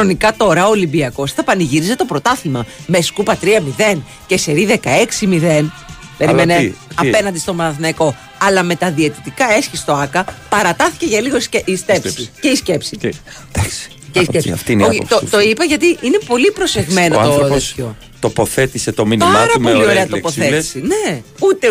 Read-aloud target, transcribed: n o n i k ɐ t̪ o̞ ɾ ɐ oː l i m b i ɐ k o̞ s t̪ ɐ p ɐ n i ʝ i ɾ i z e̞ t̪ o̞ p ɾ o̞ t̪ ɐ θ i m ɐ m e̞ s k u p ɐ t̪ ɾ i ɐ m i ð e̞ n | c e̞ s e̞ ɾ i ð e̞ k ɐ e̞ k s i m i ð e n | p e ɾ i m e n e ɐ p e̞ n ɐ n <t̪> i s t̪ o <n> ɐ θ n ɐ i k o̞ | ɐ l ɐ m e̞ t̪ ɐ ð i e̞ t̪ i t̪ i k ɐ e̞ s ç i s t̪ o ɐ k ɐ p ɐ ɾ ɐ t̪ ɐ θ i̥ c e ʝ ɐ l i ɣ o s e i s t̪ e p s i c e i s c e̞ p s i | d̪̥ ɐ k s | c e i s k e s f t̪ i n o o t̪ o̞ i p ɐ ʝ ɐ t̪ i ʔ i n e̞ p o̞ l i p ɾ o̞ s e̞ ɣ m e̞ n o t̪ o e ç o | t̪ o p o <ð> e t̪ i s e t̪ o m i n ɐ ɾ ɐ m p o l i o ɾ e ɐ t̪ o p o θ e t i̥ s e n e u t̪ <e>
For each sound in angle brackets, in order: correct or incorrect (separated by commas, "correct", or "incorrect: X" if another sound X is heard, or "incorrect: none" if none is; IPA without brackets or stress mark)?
incorrect: d̪, incorrect: m, incorrect: θ, correct